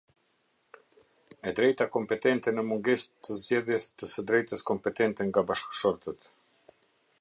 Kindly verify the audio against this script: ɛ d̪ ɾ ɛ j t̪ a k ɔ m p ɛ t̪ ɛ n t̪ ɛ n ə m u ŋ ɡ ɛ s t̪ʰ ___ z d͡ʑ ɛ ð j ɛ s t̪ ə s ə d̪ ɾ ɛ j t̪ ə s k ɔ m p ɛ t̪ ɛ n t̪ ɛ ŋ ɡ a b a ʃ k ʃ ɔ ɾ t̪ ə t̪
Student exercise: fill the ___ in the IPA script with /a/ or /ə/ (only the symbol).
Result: ə